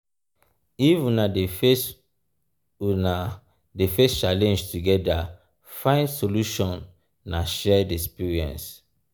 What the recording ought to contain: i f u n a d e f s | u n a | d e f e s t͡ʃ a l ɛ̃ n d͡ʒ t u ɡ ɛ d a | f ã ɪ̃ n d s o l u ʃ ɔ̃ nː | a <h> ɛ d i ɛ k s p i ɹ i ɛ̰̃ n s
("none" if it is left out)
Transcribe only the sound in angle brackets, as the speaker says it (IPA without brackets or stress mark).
ʃ